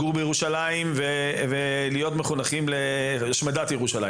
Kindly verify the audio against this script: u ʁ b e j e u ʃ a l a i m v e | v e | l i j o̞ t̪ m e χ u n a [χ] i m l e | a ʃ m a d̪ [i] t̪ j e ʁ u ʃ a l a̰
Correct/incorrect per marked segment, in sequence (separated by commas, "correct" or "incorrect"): correct, incorrect